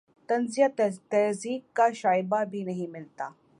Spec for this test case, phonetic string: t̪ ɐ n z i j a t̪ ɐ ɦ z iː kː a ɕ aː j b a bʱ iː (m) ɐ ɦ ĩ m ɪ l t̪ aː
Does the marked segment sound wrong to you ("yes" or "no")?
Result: yes